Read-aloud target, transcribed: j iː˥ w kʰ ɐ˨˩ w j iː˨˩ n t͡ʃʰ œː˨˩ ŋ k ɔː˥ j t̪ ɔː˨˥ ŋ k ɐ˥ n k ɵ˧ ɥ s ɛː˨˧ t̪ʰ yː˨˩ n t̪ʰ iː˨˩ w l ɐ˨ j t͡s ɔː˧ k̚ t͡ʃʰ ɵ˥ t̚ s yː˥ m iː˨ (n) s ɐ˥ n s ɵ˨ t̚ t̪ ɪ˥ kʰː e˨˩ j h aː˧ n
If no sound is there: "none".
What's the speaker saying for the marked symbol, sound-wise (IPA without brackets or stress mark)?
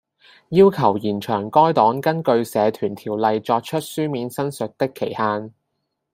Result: n